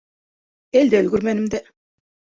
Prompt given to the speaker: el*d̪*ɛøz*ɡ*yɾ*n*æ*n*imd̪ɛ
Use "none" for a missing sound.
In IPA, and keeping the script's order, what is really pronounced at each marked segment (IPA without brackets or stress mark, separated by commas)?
d̪, ɡ, m, n